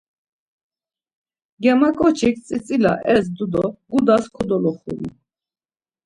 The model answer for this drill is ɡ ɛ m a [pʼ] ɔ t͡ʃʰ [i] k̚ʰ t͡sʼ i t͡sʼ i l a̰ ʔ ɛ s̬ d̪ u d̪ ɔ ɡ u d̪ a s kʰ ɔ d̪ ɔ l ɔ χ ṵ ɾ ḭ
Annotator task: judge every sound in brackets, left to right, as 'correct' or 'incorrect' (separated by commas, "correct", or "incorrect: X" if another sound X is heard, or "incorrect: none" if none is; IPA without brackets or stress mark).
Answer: incorrect: kʼ, correct